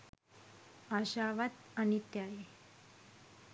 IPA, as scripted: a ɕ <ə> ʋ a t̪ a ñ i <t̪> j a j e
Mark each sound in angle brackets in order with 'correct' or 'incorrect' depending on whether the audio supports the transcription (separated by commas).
incorrect, correct